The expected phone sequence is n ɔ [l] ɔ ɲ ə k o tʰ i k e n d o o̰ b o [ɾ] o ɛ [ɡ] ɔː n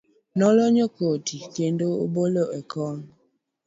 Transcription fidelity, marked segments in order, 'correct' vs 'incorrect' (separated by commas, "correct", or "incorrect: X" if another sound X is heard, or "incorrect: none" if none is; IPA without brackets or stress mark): correct, incorrect: l, incorrect: k